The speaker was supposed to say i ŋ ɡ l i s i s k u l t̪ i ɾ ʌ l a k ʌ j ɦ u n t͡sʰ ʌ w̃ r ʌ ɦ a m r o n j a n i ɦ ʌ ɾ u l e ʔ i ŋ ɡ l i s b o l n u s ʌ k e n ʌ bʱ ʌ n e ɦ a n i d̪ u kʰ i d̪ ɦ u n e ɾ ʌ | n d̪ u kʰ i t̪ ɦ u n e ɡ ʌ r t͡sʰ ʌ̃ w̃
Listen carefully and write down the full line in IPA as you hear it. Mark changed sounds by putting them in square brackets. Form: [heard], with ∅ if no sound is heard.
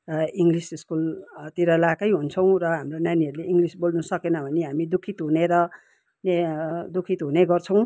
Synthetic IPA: i ŋ ɡ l i s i s k u l t̪ i ɾ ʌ l a k ʌ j ɦ u n t͡sʰ ʌ w̃ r ʌ ɦ a m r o n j a n i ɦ ʌ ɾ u l e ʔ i ŋ ɡ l i s b o l n u s ʌ k e n ʌ bʱ ʌ n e ɦ a [m] i d̪ u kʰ i [t̪] ɦ u n e ɾ ʌ | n d̪ u kʰ i t̪ ɦ u n e ɡ ʌ r t͡sʰ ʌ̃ w̃